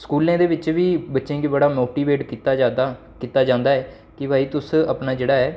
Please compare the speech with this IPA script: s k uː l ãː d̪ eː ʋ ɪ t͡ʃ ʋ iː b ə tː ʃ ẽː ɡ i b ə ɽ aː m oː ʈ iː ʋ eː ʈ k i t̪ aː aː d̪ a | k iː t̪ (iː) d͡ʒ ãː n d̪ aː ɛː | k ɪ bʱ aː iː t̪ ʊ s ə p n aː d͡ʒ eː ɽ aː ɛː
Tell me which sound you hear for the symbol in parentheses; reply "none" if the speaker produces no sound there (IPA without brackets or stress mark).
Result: aː